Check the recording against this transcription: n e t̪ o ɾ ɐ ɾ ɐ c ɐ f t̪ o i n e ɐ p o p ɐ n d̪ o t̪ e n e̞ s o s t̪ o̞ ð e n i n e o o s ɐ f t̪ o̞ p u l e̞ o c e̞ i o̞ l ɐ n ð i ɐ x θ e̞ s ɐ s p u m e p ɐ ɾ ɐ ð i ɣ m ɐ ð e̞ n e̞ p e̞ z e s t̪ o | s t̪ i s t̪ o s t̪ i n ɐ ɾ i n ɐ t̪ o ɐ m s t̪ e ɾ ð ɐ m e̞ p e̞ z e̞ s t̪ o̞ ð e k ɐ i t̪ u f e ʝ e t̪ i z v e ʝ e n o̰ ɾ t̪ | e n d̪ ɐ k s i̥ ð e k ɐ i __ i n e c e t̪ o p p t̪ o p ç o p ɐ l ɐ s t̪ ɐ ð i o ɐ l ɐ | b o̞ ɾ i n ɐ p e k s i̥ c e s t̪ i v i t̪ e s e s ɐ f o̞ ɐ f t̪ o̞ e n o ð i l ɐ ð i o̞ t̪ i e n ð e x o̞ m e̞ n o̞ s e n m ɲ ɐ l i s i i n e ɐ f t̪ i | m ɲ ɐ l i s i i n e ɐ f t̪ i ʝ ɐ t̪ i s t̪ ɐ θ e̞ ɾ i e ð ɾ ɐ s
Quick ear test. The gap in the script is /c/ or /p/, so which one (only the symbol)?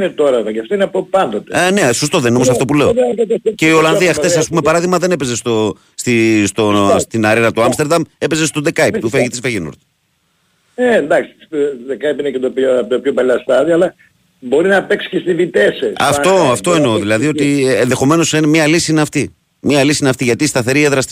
p